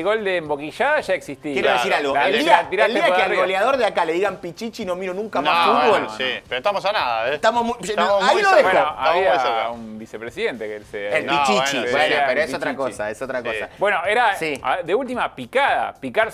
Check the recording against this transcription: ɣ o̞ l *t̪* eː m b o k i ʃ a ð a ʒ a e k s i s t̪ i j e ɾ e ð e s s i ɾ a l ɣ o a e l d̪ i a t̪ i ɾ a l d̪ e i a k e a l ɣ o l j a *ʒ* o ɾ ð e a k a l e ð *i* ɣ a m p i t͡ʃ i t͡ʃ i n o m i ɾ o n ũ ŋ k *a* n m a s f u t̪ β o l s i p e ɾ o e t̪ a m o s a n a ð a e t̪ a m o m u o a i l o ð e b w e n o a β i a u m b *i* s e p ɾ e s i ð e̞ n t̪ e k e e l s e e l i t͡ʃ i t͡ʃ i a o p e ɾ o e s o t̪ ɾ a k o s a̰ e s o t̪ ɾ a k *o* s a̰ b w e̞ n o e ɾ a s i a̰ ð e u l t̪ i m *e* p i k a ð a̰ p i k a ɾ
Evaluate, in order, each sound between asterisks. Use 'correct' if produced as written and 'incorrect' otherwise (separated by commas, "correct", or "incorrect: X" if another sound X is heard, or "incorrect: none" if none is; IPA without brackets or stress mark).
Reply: incorrect: d̪, incorrect: ð, correct, correct, correct, correct, incorrect: a